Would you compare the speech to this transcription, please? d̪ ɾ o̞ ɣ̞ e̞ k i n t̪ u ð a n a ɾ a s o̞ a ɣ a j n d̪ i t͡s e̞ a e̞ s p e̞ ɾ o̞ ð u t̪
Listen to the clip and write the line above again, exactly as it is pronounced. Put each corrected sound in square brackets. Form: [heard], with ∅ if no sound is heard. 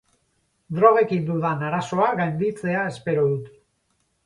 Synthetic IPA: d̪ ɾ o̞ ɣ̞ e̞ k i n [d̪] u ð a n a ɾ a s o̞ a ɣ a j n d̪ i t͡s e̞ a e̞ s p e̞ ɾ o̞ ð u t̪